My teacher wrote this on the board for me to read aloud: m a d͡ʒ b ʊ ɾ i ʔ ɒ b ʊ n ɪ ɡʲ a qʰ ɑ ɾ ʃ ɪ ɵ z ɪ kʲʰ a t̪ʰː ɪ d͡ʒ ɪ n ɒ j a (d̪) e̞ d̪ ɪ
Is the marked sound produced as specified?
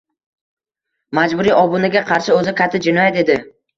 no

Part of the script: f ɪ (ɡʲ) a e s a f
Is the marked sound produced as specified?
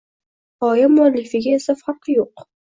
yes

